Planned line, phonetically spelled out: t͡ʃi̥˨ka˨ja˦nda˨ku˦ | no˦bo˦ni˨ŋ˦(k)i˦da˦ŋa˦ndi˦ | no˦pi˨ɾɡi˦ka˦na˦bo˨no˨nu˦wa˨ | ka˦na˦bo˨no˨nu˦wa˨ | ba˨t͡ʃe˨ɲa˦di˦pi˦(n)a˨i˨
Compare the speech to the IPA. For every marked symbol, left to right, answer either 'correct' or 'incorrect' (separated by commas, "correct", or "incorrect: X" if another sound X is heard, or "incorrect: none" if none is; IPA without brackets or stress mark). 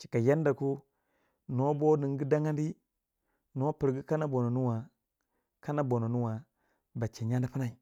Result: incorrect: ɡ, correct